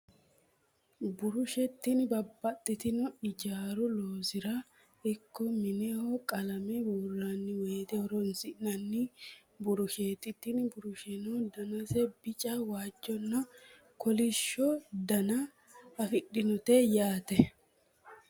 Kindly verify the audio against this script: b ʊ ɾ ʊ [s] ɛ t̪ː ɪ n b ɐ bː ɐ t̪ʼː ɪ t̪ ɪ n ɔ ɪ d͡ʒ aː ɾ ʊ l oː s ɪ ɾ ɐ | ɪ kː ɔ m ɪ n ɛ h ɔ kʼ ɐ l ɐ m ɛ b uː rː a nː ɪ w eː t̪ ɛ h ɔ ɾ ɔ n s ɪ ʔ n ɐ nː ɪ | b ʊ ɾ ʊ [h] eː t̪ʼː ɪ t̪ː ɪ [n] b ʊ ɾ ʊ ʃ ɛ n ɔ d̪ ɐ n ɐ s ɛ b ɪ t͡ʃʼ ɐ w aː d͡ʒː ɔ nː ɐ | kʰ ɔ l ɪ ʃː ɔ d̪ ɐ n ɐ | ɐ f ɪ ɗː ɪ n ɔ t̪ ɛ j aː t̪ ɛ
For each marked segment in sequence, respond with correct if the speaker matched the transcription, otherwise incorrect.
incorrect: ʃ, incorrect: ʃ, correct

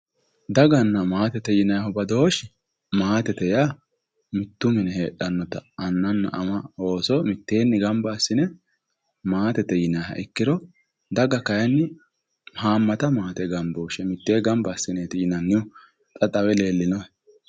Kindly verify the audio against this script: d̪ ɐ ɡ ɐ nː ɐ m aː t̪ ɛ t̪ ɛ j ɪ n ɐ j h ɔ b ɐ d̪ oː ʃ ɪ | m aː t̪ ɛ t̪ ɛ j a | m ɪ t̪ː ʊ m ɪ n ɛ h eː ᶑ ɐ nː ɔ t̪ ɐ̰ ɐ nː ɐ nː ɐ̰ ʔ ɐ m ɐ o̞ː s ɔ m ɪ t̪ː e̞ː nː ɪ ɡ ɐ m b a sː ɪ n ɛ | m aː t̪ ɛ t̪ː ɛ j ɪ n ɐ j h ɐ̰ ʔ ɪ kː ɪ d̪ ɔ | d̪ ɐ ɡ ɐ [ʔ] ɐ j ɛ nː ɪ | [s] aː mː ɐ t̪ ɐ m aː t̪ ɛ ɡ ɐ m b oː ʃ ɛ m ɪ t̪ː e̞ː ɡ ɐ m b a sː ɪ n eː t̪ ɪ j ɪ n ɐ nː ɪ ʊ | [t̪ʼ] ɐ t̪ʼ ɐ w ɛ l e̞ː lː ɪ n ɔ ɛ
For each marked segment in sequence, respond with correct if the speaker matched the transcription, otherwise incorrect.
incorrect: k, incorrect: h, correct

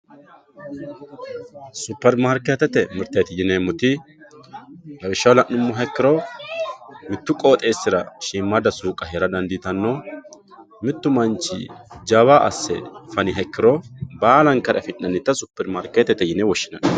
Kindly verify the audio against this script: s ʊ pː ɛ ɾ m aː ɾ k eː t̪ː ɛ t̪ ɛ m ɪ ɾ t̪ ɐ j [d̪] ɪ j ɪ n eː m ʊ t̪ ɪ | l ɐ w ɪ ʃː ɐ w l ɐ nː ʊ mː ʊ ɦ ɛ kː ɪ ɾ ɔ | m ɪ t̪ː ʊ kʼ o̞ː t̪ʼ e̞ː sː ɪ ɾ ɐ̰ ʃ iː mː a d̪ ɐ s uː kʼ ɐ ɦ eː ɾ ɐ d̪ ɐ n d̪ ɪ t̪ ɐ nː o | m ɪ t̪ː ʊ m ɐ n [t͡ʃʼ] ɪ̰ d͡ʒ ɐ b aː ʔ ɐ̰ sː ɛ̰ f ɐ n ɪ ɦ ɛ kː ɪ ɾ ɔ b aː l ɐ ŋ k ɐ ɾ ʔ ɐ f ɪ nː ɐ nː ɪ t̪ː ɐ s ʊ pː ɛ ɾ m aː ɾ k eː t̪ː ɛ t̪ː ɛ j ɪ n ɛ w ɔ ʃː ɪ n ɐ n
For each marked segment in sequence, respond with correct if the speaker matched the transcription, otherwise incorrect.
incorrect: t̪, incorrect: t͡ʃ

